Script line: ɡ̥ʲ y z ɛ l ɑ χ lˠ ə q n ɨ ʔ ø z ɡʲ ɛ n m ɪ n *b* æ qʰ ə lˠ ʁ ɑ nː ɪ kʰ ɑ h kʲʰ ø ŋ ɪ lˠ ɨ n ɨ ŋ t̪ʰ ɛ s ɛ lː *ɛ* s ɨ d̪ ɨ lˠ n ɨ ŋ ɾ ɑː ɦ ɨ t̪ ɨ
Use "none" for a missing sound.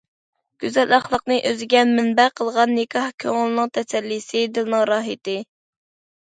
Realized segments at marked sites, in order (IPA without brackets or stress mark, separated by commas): b, i